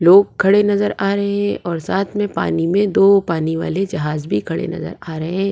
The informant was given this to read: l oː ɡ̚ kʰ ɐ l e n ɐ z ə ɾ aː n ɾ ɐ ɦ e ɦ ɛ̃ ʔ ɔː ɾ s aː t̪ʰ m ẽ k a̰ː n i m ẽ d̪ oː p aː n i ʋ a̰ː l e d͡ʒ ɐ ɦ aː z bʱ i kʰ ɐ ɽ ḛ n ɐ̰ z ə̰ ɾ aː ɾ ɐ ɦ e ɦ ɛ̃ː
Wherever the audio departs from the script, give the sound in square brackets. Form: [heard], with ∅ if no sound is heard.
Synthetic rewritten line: l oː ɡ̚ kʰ ɐ [ɽ] e n ɐ z ə ɾ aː [∅] ɾ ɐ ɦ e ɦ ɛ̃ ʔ ɔː ɾ s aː t̪ʰ m ẽ [p] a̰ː n i m ẽ d̪ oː p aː n i ʋ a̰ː l e d͡ʒ ɐ ɦ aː z bʱ i kʰ ɐ ɽ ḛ n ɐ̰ z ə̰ ɾ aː ɾ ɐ ɦ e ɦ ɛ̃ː